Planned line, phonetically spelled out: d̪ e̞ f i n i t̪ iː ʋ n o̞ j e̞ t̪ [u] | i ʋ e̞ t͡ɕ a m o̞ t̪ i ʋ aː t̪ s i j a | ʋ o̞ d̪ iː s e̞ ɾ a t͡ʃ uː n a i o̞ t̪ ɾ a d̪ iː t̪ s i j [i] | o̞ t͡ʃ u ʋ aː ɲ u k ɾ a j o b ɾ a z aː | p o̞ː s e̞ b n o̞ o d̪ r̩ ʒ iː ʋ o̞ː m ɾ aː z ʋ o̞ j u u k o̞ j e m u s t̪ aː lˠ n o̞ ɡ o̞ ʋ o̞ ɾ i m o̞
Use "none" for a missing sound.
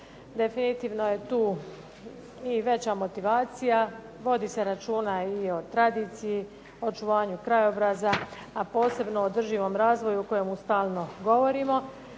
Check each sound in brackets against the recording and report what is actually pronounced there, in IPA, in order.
uː, i

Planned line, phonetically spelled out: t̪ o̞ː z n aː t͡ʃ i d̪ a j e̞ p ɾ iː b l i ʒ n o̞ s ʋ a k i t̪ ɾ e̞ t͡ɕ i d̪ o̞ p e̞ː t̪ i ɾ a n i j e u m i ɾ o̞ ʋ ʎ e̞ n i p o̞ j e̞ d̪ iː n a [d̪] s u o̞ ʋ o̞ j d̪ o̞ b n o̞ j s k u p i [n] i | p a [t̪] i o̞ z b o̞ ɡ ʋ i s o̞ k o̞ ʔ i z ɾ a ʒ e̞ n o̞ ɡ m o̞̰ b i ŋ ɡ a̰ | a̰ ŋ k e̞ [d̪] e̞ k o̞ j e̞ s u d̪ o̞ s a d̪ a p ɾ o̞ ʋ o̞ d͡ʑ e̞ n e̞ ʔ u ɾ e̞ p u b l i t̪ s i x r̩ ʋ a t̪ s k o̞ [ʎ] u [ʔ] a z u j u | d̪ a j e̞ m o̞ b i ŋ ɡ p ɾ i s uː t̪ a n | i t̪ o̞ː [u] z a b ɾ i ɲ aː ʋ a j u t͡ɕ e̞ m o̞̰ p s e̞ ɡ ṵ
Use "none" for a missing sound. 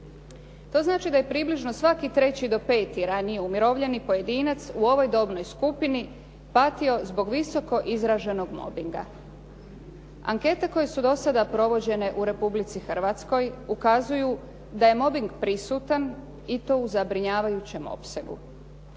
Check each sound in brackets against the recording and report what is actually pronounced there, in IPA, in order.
t̪, n, t̪, t̪, j, k, u

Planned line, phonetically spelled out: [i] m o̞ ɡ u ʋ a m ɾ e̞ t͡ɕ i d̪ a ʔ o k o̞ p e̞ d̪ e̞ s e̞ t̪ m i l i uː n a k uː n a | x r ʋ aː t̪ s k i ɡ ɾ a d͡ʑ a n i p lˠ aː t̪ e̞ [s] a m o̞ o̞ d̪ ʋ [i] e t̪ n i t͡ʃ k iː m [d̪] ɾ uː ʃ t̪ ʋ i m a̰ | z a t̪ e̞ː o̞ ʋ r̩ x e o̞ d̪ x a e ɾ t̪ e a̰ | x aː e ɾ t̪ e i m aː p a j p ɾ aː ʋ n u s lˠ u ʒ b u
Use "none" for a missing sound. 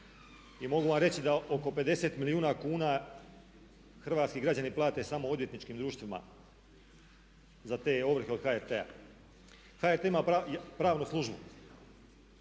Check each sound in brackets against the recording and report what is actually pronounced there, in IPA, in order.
i, s, j, d̪

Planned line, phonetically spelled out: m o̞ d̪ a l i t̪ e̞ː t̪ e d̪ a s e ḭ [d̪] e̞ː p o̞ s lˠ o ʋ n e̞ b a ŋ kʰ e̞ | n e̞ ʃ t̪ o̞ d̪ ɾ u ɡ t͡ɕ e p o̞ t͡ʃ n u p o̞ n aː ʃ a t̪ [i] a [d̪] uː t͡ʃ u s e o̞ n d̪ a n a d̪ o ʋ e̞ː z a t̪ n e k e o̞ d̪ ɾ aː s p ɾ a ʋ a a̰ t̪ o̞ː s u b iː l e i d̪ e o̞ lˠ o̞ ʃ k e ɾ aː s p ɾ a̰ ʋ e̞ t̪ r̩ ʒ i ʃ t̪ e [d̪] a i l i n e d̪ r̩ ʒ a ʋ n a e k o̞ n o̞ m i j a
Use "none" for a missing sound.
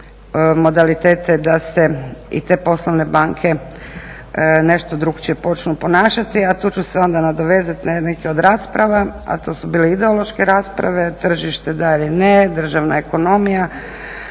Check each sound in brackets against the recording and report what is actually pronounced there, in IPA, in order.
t̪, i, t̪, d̪

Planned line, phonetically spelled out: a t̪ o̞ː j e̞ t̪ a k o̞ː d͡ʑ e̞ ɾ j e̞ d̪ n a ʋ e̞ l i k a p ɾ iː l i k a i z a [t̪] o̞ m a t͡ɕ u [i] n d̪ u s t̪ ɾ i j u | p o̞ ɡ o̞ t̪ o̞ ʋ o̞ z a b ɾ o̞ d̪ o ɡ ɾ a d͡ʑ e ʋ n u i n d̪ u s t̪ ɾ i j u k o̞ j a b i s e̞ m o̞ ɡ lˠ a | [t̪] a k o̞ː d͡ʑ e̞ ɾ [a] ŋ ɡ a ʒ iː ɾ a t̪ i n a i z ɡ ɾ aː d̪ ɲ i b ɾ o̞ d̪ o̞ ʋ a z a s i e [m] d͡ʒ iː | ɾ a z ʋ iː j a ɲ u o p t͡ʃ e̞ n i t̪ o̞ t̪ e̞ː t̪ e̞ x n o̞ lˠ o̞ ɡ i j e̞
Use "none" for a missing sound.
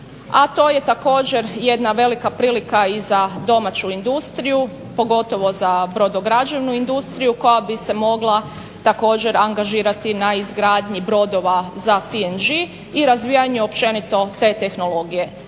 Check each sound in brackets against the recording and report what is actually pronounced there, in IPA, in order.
d̪, i, t̪, a, n

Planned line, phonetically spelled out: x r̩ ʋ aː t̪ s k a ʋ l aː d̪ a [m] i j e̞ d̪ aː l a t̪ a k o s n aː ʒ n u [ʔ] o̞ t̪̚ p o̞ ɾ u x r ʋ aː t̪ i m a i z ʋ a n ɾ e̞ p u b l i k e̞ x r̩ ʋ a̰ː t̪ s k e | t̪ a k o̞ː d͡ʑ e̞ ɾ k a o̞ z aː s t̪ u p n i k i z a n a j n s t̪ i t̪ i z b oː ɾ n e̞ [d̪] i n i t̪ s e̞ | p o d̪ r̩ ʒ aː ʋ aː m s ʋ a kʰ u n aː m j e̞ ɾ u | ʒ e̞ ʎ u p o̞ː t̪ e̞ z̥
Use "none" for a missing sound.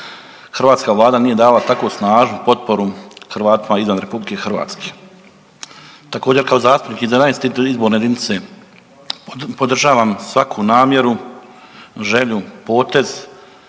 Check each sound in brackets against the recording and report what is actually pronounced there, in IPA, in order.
n, p, d̪

